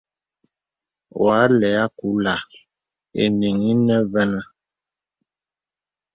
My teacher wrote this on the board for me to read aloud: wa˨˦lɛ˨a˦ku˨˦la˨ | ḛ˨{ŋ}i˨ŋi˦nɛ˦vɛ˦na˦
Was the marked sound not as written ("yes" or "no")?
yes